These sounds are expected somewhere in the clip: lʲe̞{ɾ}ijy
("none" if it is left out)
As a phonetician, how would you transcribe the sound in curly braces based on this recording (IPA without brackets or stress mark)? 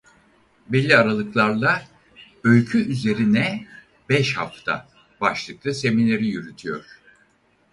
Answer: ɾ